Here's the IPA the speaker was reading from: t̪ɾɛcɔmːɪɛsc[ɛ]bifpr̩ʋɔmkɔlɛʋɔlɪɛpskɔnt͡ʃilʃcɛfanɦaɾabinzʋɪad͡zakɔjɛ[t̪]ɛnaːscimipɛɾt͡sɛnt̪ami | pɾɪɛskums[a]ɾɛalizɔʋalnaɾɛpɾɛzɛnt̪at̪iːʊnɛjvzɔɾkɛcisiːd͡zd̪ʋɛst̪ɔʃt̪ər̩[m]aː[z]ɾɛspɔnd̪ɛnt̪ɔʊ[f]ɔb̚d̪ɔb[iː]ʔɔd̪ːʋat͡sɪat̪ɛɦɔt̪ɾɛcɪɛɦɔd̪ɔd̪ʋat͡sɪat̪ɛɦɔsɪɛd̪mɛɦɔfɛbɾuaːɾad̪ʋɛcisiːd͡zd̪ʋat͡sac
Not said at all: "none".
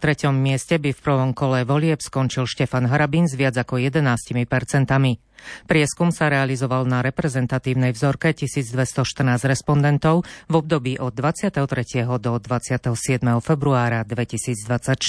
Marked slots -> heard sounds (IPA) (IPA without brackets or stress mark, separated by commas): ɛ, d̪, a, n, z, v, iː